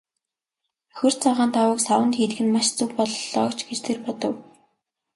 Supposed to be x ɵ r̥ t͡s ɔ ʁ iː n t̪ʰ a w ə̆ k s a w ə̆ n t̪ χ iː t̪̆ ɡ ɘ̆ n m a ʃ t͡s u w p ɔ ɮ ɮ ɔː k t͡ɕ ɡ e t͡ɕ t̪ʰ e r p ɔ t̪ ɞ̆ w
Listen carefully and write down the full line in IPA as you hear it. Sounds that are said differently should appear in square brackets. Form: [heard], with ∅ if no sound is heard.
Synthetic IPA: x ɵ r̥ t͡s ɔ ʁ [aː] n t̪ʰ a w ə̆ k s a w ə̆ n t̪ [x] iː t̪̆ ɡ ɘ̆ n m a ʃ t͡s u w p ɔ ɮ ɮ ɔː k t͡ɕ ɡ e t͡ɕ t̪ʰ e r p ɔ t̪ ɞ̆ w